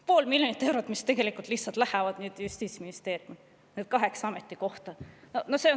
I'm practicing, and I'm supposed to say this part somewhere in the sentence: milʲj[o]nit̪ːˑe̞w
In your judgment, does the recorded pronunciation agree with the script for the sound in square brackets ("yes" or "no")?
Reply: yes